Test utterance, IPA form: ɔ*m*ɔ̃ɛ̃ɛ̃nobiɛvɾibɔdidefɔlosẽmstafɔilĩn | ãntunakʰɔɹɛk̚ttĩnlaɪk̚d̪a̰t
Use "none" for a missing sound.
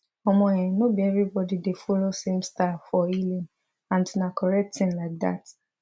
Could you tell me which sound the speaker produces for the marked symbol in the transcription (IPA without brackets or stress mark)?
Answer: m